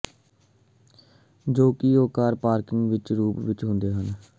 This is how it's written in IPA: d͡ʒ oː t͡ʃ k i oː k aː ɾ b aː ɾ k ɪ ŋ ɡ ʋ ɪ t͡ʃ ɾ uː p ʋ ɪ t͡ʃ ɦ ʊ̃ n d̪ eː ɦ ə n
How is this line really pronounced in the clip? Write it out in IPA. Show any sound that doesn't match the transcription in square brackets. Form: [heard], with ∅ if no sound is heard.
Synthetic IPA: d͡ʒ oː [∅] k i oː k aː ɾ [p] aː ɾ k ɪ ŋ ɡ ʋ ɪ t͡ʃ ɾ uː p ʋ ɪ t͡ʃ ɦ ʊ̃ n d̪ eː ɦ ə n